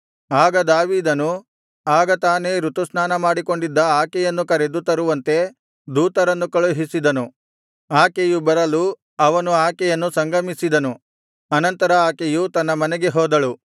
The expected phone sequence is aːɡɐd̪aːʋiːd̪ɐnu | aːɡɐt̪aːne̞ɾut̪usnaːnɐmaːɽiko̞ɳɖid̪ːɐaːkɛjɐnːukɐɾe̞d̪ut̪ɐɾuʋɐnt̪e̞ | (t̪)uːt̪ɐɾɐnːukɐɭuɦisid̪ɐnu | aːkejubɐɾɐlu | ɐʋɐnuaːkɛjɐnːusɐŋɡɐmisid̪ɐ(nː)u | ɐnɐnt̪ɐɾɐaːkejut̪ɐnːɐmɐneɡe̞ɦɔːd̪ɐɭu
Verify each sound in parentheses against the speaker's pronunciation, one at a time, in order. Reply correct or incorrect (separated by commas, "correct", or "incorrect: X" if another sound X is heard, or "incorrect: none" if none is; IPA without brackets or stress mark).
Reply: incorrect: d̪, incorrect: n